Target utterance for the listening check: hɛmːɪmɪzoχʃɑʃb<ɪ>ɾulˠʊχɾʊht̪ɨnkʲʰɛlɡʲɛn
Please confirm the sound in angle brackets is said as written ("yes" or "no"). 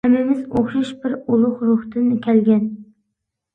yes